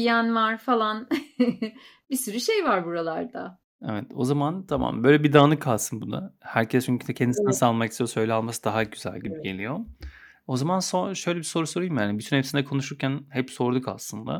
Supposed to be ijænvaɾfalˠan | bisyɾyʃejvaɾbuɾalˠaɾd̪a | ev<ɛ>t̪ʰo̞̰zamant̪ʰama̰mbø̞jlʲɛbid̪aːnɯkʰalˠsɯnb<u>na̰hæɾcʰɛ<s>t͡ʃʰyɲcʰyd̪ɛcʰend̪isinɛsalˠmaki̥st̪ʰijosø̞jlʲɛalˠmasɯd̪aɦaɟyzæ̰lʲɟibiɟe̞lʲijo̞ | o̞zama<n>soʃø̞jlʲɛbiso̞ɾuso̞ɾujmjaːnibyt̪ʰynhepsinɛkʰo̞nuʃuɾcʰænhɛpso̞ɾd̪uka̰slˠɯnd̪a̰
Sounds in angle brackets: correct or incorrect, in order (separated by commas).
correct, correct, correct, correct